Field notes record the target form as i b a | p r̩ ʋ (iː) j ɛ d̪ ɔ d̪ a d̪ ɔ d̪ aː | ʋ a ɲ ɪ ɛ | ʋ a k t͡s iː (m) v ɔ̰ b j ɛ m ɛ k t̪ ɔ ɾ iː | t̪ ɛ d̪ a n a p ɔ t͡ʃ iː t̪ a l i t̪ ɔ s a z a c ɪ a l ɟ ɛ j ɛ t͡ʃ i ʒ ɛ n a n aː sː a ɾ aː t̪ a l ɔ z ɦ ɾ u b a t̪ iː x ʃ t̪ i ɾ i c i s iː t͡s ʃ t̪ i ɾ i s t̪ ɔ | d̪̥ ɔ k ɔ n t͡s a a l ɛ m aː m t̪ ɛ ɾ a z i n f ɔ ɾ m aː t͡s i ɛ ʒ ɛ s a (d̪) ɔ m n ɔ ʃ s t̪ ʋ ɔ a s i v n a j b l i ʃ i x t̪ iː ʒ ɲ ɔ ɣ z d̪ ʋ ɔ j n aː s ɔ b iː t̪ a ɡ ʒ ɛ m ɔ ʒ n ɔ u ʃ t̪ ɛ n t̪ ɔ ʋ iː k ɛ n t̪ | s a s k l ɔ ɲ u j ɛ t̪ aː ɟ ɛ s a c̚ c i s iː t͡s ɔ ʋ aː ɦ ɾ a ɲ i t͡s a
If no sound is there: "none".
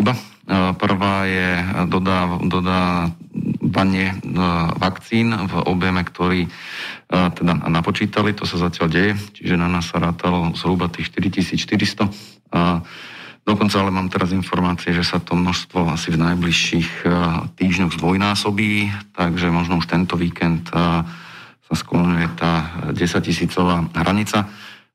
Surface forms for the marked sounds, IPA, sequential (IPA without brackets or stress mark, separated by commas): aː, n, t̪